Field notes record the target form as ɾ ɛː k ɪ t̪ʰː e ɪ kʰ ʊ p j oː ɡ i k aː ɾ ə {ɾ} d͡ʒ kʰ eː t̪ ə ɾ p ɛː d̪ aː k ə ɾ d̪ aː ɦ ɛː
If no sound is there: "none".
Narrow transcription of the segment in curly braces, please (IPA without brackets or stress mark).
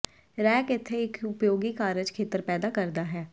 none